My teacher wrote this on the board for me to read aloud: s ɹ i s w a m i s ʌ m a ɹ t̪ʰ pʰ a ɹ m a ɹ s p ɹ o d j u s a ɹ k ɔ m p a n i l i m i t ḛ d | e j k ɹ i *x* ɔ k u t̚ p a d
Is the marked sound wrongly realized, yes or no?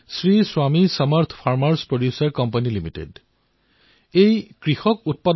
no